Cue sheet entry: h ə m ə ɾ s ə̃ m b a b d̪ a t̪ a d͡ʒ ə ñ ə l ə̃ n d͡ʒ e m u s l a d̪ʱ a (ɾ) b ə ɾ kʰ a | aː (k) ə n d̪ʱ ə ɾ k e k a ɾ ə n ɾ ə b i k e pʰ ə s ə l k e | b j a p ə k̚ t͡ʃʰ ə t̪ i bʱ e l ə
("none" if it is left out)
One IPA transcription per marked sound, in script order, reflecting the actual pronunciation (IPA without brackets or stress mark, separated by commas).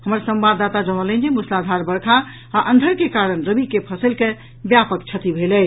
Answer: ɾ, ʔ